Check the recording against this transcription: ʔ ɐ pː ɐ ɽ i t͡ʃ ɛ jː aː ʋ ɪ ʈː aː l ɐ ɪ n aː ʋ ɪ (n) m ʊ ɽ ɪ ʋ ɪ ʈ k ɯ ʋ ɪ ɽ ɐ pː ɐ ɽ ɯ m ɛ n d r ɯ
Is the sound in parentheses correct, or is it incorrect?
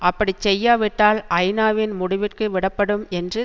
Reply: correct